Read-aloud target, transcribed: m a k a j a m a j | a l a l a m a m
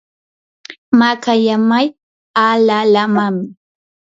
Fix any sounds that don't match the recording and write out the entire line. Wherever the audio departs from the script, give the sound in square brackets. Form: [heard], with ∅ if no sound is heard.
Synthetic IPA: m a k a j a m a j | a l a l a m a m

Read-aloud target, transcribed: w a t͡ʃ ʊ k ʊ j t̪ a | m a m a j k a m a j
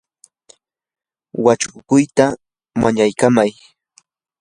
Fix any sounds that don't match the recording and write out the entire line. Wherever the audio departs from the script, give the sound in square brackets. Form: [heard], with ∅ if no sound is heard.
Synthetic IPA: w a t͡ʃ ʊ k ʊ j t̪ a | m a [ɲ] a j k a m a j

